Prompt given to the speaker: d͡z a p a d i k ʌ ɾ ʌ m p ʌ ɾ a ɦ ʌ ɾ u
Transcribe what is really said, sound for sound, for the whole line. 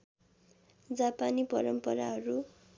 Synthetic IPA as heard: d͡z a p a n i p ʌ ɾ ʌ m p ʌ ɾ a ɦ ʌ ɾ u